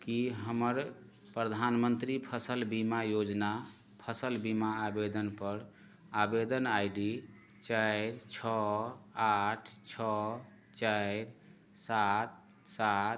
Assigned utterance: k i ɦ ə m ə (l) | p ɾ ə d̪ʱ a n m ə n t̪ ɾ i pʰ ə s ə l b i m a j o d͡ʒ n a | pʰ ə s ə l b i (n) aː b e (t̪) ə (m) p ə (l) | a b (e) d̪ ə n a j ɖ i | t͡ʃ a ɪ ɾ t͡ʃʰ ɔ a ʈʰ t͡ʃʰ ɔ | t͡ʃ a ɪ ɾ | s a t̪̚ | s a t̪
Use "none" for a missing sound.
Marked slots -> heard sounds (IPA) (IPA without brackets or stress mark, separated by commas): ɾ, m, d̪, n, ɾ, e